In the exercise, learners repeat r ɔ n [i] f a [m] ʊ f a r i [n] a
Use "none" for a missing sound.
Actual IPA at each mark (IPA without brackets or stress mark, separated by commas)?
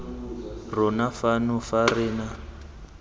a, n, n